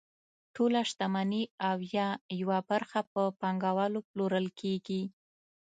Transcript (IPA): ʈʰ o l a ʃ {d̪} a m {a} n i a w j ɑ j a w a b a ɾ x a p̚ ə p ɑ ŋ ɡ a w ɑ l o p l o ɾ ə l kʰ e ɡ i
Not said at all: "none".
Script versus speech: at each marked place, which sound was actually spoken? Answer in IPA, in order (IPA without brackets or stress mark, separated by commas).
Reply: t̪, a